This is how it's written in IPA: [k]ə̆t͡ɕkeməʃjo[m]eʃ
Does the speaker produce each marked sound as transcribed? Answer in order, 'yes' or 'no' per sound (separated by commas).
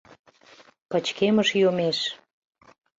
no, yes